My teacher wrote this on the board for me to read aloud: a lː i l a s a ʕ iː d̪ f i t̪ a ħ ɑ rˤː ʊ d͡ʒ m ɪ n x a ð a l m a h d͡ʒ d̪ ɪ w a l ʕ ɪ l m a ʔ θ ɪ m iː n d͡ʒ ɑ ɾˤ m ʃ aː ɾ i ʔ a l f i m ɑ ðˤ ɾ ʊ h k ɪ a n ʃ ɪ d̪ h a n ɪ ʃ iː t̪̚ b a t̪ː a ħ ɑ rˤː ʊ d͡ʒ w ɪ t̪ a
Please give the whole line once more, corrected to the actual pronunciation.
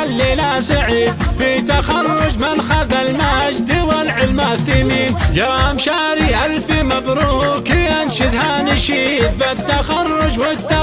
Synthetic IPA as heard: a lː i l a s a ʕ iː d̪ f i t̪ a x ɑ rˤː ʊ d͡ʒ m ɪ n x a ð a l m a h d͡ʒ d̪ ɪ w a l ʕ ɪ l m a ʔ θ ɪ m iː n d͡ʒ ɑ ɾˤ m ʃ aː ɾ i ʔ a l f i m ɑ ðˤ ɾ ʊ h k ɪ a n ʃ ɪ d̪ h a n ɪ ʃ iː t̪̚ b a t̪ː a x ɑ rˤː ʊ d͡ʒ w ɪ t̪ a